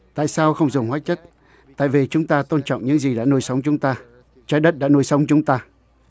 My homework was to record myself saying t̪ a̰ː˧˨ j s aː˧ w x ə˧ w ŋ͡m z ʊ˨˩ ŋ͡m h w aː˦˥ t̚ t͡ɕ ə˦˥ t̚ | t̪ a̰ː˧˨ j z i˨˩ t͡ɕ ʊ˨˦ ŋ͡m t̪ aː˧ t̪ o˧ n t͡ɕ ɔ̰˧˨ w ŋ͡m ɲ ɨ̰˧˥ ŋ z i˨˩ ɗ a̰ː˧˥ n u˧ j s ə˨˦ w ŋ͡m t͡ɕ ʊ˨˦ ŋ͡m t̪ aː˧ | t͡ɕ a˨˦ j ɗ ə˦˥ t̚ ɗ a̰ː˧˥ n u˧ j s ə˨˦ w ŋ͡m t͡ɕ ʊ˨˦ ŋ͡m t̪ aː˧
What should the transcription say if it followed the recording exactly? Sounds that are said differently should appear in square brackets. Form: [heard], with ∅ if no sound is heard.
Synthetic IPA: t̪ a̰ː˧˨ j s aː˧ w x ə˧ w ŋ͡m z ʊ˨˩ ŋ͡m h w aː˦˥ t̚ t͡ɕ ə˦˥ t̚ | t̪ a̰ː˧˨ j [v] i˨˩ t͡ɕ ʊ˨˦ ŋ͡m t̪ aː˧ t̪ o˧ n t͡ɕ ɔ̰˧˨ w ŋ͡m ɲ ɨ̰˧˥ ŋ z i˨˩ ɗ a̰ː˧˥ n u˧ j s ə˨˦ w ŋ͡m t͡ɕ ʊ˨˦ ŋ͡m t̪ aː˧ | t͡ɕ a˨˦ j ɗ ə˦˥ t̚ ɗ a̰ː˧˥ n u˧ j s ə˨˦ w ŋ͡m t͡ɕ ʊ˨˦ ŋ͡m t̪ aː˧